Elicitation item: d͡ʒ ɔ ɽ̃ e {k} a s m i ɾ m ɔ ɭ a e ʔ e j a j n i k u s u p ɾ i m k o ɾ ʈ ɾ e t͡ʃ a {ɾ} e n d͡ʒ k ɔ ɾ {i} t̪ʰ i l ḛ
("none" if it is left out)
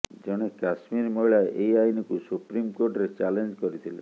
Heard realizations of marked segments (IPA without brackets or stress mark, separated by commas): k, l, i